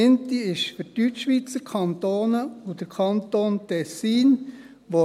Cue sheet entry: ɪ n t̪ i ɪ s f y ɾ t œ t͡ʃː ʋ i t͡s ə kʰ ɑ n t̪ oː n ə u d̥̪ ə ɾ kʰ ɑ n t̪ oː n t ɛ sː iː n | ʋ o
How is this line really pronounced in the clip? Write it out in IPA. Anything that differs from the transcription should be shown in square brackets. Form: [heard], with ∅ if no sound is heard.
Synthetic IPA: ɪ n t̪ i ɪ [ʃ] f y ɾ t [y] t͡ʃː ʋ i t͡s ə kʰ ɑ n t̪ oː n ə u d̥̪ ə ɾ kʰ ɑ n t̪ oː n t ɛ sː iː n | ʋ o